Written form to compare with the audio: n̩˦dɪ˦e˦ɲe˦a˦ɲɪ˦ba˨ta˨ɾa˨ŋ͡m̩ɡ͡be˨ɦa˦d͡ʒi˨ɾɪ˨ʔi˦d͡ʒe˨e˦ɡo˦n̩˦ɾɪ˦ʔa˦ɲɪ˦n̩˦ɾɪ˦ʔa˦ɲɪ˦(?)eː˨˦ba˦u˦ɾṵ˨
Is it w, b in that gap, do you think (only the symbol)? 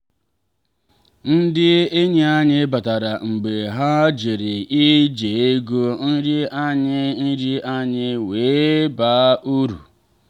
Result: w